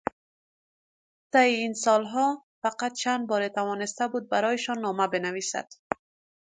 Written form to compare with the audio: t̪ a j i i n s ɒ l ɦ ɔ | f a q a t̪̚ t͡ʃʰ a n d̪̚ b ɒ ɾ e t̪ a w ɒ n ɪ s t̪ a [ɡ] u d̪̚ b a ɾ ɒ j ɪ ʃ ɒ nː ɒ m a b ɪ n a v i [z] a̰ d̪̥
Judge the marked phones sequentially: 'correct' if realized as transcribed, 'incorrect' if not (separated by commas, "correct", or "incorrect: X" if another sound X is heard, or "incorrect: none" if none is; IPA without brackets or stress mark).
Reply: incorrect: b, incorrect: s